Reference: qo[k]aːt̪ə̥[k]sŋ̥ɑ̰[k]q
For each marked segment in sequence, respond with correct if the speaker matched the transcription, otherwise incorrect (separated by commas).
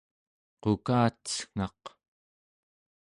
correct, incorrect, incorrect